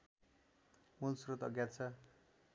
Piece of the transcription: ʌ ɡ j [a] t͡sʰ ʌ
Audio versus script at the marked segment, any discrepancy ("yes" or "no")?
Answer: no